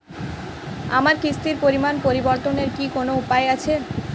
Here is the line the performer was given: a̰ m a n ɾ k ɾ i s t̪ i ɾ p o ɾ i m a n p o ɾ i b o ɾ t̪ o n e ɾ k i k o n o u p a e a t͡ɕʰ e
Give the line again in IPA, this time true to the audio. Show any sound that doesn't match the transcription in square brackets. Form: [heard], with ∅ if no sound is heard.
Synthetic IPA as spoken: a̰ m a [∅] ɾ k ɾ i s t̪ i ɾ p o ɾ i m a n p o ɾ i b o ɾ t̪ o n e ɾ k i k o n o u p a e a t͡ɕʰ e